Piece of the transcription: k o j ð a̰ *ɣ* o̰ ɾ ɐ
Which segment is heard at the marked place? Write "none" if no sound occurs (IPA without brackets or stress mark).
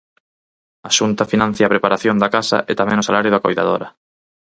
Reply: ð